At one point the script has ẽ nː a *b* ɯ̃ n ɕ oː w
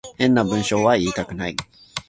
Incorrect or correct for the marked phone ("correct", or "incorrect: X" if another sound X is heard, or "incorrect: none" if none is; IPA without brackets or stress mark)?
correct